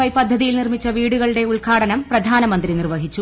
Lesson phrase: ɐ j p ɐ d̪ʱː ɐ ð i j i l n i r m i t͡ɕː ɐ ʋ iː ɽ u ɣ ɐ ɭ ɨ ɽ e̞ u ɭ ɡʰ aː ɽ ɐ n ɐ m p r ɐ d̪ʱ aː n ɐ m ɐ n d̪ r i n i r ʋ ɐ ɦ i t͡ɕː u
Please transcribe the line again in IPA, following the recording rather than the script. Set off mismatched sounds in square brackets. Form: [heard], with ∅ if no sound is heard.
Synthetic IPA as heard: ɐ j p ɐ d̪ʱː ɐ ð i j i l n i r m i t͡ɕː ɐ ʋ iː ɽ u ɣ ɐ ɭ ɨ ɽ e̞ u ɭ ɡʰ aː ɽ ɐ n ɐ m p r ɐ d̪ʱ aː n ɐ m ɐ n d̪ r i n i r ʋ ɐ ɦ i t͡ɕː u